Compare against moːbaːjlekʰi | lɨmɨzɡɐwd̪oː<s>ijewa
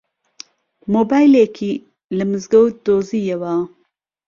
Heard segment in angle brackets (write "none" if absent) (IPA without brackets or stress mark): z